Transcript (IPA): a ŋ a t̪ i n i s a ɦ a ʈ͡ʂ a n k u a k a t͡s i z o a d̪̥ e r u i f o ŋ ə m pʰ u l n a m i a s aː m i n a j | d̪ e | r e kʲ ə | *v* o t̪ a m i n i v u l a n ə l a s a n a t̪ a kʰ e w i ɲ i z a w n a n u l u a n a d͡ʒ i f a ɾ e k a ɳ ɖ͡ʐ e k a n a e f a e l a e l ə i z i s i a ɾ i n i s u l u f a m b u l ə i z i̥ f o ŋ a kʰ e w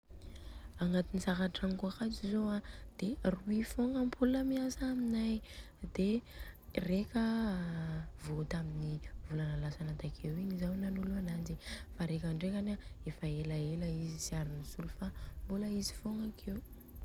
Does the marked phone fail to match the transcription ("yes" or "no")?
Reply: no